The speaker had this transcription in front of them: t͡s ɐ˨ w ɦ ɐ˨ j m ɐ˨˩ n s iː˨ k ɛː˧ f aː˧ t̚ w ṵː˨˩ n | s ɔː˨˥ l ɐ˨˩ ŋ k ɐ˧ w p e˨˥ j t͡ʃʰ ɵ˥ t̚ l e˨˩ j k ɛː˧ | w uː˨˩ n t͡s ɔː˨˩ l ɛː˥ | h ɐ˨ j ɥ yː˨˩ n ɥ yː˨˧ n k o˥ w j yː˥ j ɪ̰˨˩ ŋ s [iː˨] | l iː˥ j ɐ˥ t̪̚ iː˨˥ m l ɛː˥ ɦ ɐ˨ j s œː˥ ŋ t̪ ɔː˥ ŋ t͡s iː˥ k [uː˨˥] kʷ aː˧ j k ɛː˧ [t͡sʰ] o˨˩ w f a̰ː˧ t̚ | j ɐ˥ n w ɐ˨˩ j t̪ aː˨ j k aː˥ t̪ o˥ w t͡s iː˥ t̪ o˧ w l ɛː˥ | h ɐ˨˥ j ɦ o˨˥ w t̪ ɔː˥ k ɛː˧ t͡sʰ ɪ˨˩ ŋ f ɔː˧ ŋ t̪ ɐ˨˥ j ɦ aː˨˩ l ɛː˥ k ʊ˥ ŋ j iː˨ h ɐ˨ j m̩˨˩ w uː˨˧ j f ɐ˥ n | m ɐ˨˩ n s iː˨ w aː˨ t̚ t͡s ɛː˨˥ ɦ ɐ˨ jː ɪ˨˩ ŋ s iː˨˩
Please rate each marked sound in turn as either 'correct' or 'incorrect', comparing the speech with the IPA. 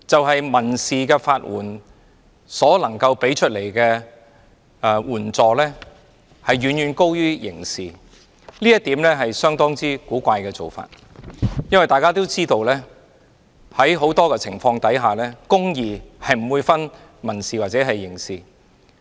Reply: correct, correct, incorrect

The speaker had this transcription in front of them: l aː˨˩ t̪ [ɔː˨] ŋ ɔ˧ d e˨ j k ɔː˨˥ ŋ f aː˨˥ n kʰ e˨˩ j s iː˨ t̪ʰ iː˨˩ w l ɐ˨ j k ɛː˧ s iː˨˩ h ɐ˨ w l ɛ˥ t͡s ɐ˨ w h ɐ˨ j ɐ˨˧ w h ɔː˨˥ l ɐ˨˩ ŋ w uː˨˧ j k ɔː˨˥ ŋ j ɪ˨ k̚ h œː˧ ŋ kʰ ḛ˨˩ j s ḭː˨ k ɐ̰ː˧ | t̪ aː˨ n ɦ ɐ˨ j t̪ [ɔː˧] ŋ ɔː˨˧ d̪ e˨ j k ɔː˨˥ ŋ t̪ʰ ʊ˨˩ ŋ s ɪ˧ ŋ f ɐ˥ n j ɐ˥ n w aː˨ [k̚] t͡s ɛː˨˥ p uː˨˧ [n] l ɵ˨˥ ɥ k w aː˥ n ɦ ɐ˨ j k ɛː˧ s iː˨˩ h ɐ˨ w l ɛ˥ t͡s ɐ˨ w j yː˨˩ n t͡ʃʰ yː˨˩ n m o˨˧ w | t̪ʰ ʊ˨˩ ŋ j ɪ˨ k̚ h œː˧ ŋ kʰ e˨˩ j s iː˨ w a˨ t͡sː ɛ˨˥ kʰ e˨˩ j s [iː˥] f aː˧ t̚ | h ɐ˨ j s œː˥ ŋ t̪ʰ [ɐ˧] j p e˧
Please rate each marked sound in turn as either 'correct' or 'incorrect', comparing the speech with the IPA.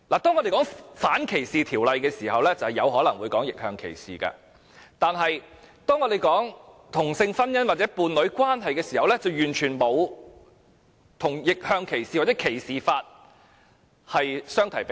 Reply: incorrect, incorrect, incorrect, correct, incorrect, incorrect

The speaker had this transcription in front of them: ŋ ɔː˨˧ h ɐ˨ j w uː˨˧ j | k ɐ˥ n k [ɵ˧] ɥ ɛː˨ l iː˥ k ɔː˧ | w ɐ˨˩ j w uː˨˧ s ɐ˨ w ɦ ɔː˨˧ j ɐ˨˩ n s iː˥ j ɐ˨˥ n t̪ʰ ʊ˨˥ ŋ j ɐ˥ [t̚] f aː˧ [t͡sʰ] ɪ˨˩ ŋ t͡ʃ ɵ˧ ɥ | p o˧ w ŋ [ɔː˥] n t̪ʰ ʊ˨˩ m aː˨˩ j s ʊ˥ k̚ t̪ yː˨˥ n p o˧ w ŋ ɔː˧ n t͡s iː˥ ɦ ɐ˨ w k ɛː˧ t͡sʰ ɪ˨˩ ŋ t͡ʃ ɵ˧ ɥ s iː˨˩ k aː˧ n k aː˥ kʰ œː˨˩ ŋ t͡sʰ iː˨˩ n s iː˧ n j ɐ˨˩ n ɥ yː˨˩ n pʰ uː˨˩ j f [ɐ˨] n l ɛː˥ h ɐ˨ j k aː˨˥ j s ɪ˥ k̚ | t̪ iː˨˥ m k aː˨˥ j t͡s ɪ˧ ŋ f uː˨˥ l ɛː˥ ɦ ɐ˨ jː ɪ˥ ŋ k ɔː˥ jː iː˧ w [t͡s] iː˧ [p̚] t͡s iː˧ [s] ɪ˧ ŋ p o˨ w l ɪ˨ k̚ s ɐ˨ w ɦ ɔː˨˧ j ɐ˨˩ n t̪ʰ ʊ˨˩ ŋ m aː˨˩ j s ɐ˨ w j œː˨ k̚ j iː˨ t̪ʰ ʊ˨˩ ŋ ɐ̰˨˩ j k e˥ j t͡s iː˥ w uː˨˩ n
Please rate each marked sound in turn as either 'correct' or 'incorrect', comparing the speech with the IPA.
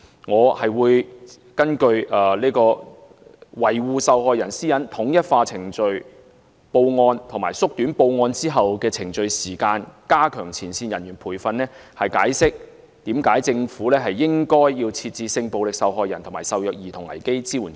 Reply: correct, correct, correct, incorrect, correct, incorrect, incorrect, correct

